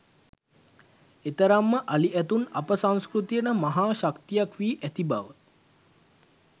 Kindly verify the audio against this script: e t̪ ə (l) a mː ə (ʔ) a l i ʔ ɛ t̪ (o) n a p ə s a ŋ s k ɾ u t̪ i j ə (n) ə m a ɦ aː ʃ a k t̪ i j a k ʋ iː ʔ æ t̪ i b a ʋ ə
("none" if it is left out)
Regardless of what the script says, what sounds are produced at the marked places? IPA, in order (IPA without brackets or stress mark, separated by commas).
ɾ, ʔ, u, n